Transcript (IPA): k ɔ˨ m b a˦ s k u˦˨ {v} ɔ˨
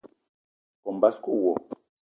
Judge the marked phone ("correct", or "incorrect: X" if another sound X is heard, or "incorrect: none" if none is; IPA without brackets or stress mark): incorrect: w